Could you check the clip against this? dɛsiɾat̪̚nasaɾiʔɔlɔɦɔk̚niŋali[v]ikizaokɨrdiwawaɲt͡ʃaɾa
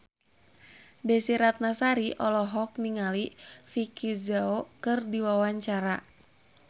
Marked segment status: incorrect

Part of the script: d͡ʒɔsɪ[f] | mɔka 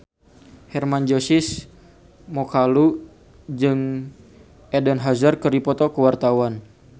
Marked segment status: incorrect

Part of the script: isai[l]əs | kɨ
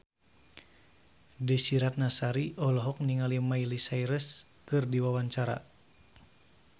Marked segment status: incorrect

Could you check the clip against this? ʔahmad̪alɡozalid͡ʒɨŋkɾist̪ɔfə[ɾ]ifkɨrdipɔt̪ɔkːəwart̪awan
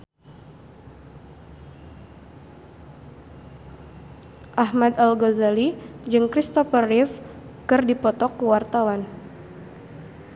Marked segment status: incorrect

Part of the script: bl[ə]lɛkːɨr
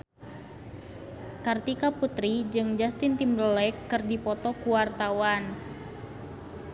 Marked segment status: correct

